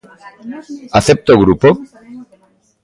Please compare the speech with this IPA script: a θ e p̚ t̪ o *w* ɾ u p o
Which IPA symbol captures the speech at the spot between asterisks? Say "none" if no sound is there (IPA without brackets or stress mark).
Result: ɣ